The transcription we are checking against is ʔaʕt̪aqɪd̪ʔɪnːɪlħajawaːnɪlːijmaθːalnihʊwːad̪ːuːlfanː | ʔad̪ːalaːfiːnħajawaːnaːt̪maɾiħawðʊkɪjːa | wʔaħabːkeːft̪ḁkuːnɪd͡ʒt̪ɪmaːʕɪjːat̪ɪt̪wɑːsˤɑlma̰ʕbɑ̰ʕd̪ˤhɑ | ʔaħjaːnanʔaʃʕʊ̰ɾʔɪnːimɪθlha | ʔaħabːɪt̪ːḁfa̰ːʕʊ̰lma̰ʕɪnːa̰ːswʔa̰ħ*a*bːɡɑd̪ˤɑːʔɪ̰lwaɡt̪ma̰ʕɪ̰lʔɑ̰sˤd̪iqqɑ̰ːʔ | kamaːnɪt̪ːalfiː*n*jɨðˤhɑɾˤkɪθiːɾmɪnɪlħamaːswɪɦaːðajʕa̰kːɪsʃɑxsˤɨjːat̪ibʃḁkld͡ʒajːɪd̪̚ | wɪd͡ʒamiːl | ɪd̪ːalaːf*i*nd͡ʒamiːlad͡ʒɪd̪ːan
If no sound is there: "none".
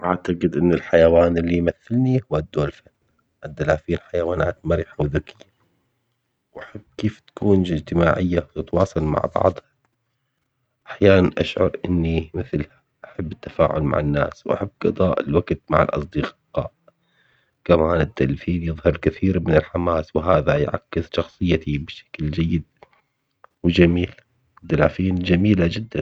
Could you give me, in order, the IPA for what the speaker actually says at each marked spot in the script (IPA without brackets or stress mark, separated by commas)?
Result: a, n, iː